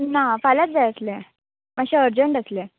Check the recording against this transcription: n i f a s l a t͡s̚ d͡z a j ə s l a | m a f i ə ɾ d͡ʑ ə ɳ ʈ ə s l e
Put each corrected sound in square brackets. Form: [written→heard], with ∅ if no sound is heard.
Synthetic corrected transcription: n [i→a] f a [s→∅] l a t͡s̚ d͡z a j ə s l [a→e] | m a [f→ɕ] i ə ɾ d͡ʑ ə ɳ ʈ ə s l e